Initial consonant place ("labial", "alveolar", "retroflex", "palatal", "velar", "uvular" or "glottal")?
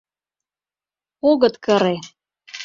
velar